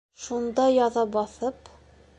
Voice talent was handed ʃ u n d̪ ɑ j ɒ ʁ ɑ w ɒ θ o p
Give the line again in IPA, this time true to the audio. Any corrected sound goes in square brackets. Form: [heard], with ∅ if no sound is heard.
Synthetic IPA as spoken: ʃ u n d̪ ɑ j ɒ [ð] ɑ [b] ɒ θ [ɤ] p